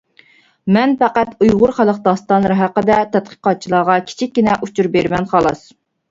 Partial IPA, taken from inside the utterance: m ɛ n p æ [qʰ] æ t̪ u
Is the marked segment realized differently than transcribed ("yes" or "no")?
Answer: yes